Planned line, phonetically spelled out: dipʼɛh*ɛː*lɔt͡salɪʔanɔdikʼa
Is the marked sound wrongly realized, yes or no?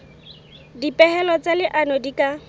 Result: yes